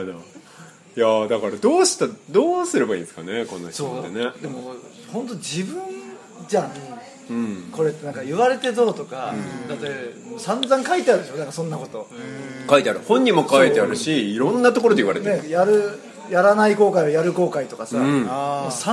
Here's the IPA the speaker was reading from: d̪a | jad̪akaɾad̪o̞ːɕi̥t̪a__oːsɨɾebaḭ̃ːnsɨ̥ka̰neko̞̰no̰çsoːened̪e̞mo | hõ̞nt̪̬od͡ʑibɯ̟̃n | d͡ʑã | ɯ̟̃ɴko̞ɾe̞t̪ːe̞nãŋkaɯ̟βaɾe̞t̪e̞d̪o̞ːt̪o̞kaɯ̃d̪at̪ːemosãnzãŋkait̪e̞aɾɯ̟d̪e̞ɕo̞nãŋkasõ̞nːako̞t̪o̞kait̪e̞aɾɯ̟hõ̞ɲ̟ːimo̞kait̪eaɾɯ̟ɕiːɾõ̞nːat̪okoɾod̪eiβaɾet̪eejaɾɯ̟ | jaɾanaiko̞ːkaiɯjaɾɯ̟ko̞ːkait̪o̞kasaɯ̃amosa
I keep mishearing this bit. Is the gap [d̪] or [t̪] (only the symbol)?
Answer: d̪